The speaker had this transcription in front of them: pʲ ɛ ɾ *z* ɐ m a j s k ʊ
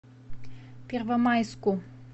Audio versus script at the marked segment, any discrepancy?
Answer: yes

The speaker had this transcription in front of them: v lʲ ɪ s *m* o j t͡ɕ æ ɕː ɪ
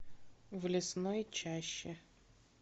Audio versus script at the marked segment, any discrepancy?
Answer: yes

